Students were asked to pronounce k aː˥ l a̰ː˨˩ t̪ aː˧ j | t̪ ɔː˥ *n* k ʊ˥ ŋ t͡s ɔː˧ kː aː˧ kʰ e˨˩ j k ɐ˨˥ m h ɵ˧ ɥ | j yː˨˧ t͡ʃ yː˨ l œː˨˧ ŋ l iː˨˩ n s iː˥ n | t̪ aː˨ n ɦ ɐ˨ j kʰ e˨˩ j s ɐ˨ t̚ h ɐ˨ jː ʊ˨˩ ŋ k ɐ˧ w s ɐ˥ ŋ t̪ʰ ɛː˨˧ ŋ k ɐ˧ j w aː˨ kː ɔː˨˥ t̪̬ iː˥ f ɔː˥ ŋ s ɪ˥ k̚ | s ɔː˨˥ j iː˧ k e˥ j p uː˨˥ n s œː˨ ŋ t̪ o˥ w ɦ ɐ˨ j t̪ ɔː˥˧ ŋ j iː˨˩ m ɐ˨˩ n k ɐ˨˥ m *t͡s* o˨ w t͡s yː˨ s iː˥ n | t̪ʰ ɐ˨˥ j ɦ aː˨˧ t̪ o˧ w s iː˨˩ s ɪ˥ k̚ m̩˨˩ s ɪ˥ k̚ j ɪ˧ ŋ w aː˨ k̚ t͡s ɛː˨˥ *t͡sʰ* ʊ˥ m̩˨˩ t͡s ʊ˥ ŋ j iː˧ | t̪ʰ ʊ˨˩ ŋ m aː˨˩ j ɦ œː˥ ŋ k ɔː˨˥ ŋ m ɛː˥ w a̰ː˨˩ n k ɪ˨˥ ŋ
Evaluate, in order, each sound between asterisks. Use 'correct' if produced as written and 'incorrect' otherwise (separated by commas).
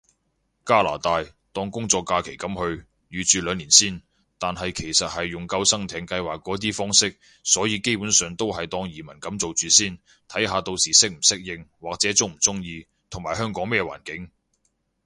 incorrect, correct, incorrect